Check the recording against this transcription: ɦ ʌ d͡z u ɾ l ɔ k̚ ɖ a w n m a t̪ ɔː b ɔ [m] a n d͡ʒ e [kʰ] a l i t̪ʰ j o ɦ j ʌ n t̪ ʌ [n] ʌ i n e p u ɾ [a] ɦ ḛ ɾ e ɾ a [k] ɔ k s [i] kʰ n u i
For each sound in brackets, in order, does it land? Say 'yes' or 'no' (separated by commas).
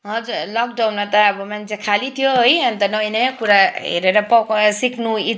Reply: yes, yes, yes, yes, no, yes